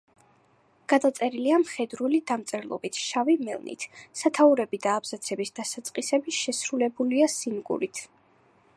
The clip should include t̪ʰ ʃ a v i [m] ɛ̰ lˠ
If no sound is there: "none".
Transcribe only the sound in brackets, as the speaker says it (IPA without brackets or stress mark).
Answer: m